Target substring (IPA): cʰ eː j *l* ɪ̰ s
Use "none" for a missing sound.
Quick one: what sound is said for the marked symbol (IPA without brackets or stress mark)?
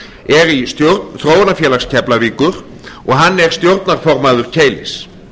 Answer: l